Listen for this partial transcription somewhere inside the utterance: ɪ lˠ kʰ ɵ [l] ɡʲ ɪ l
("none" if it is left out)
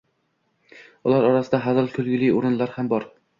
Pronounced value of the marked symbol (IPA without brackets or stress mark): l